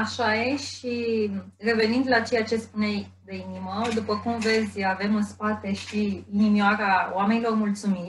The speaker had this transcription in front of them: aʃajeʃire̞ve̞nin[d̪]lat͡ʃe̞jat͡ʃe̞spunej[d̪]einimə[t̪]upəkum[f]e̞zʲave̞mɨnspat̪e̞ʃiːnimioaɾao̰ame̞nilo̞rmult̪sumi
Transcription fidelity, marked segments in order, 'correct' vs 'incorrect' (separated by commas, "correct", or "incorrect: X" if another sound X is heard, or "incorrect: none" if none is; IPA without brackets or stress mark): correct, correct, incorrect: d̪, incorrect: v